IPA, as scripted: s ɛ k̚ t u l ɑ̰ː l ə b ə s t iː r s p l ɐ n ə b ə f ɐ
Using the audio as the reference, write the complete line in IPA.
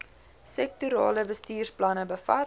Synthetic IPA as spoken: s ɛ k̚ t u ɾ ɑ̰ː l ə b ə s t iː r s p l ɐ n ə b ə f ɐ